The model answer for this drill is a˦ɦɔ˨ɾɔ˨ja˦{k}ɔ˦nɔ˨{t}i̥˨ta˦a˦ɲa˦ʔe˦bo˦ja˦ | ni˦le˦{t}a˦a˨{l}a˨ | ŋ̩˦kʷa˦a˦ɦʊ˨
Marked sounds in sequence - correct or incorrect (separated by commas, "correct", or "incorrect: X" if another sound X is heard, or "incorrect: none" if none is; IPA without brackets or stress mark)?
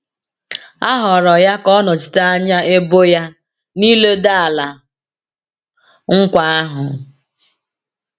correct, incorrect: t͡ʃ, incorrect: d, correct